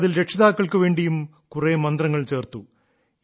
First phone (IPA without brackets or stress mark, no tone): ð